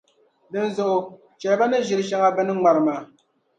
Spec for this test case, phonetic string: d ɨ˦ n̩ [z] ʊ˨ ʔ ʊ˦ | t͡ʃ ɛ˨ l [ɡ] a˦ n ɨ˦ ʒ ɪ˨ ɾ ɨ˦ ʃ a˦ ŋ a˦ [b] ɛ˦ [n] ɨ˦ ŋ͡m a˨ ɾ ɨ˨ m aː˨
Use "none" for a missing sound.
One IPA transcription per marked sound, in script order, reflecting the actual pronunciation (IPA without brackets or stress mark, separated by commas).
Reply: z, b, b, n